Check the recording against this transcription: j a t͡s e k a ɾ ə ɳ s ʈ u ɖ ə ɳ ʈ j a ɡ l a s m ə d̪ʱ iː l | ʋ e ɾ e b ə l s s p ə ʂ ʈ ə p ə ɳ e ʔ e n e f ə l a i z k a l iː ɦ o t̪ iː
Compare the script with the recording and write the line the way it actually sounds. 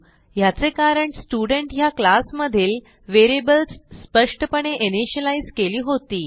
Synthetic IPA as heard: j a t͡s e k a ɾ ə ɳ s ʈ u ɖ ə ɳ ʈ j a k l a s m ə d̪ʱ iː l | ʋ e ɾ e b ə l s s p ə ʂ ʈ ə p ə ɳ e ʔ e n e ɕ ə l a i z k e l iː ɦ o t̪ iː

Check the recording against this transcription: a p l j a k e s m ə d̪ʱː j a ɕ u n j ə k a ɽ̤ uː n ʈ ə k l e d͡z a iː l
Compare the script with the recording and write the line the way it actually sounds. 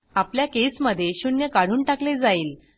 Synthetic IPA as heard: a p l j a k e s m ə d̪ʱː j e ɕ u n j ə k a ɽ̤ uː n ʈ a k l e d͡z a iː l

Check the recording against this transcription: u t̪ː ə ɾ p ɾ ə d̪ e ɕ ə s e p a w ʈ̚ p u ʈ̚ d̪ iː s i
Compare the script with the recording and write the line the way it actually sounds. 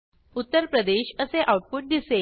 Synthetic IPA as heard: u t̪ː ə ɾ p ɾ ə d̪ e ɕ ə s e ʔ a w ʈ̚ p u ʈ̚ d̪ i s e

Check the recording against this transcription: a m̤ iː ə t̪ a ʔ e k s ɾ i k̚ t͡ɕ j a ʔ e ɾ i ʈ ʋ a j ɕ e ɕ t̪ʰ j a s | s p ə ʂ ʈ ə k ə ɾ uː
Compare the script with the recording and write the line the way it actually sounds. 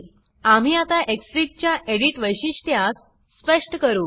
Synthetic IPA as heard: a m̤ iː a t̪ a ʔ e k s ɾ i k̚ t͡ɕ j a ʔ e ɽ i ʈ ʋ ə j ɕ i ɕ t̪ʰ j a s | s p ə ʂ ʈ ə k ə ɾ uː

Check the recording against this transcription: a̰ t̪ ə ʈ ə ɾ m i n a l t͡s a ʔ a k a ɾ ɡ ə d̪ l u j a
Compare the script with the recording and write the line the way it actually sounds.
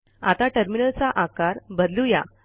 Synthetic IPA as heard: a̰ t̪ a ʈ ə ɾ m i n ə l t͡s a ʔ a k a ɾ b ə d̪ l u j a

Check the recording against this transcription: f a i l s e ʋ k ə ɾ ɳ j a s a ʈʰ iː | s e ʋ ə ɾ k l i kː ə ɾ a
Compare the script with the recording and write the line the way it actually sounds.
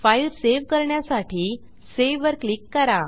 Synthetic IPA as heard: f a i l s e ʋ k ə ɾ ɳ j a s a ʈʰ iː | s e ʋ ə ɾ k l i kː ə ɾ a

